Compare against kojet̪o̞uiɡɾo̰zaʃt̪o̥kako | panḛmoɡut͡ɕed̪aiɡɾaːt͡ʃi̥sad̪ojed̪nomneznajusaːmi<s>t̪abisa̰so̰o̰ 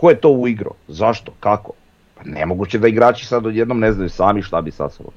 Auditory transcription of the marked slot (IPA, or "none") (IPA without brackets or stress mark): ʃ